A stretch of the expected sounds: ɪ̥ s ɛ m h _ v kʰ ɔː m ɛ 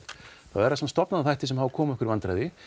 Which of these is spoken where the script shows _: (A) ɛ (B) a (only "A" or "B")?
B